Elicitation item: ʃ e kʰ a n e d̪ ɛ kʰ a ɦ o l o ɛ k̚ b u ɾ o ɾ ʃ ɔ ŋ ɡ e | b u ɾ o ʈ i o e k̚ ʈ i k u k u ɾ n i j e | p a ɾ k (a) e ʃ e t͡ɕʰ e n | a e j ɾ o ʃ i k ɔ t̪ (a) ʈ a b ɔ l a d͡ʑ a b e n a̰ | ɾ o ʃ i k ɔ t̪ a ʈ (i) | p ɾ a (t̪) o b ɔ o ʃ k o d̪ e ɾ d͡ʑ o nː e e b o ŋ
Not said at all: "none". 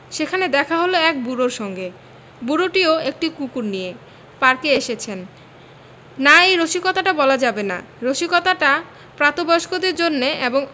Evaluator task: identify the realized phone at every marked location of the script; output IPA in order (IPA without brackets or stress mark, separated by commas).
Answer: e, a, a, t̪